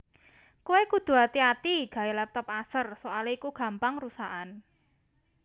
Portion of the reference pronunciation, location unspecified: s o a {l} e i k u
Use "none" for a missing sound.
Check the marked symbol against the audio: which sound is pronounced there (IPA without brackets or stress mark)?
l